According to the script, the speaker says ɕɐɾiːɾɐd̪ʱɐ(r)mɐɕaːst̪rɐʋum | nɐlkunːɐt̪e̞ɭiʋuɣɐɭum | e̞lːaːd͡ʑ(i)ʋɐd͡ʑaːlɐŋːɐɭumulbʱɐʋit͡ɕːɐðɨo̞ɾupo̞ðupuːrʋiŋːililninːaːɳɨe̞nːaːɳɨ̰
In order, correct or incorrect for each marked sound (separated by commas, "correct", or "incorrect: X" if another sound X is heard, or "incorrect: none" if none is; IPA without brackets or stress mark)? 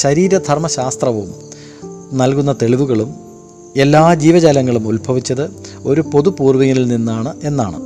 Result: correct, incorrect: iː